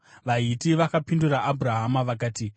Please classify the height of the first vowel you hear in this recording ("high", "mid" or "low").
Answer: low